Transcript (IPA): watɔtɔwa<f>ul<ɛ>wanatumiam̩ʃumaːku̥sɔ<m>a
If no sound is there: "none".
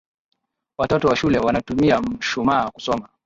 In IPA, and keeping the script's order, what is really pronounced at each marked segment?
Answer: ʃ, ɛ, m

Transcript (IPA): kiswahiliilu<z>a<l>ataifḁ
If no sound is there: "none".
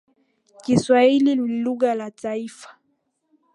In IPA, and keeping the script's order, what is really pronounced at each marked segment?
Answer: ɣ, l

